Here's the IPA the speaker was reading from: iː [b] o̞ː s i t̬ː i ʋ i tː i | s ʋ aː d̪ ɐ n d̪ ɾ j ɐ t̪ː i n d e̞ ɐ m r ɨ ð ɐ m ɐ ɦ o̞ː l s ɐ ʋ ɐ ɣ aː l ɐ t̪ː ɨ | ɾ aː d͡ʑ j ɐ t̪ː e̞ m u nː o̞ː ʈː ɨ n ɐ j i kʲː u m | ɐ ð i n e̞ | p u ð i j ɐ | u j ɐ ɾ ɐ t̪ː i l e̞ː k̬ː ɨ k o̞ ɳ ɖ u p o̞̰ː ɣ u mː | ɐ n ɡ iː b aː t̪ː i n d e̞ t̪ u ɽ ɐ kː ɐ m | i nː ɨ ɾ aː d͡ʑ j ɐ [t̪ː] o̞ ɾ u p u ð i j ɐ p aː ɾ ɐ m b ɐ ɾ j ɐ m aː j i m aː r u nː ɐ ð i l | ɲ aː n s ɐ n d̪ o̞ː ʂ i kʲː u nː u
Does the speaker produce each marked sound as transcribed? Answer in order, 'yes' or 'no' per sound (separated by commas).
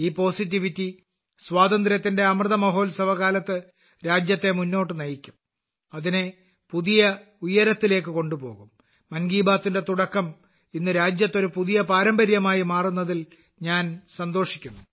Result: no, yes